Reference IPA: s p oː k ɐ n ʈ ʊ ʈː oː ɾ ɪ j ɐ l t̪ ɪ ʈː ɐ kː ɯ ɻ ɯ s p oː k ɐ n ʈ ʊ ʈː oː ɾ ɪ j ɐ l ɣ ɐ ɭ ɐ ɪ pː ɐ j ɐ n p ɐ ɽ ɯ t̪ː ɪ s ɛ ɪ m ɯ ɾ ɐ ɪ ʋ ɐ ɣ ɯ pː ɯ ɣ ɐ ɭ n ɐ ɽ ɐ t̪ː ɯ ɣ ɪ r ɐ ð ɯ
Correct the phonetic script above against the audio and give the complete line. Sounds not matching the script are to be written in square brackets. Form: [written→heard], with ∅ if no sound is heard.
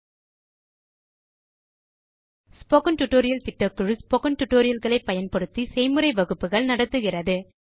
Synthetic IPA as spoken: s p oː k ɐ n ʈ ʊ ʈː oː ɾ ɪ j ɐ l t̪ ɪ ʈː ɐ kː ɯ ɻ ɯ s p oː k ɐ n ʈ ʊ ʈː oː ɾ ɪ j ɐ l ɣ ɐ ɭ ɐ ɪ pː ɐ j ɐ n p ɐ ɽ ɯ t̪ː [ɪ→i] s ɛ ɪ m ɯ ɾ ɐ ɪ ʋ ɐ ɣ ɯ pː ɯ ɣ ɐ ɭ n ɐ ɽ ɐ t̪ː ɯ ɣ ɪ r ɐ ð ɯ